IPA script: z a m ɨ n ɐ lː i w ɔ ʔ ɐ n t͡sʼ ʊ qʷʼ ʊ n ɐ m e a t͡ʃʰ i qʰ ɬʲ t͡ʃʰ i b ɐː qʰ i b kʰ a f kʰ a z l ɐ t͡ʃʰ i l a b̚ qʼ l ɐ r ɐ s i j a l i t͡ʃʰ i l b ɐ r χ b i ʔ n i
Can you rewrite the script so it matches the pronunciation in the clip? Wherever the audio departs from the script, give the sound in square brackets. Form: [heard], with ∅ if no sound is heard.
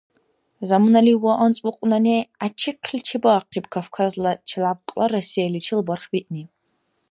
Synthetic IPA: z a m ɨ n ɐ [l] i w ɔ ʔ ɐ n t͡sʼ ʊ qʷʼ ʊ n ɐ [n] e a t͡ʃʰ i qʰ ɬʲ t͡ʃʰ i b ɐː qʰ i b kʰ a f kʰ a z l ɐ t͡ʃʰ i l a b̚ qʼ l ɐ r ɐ s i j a l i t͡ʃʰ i l b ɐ r χ b i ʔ n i